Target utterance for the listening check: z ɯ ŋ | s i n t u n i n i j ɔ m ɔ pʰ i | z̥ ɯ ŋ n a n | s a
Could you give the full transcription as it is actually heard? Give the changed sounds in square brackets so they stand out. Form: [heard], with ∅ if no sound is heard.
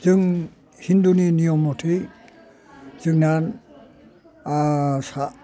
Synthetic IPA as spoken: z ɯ ŋ | [h] i n [d] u n i n i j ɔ m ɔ [tʰ] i | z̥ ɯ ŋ n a n | s a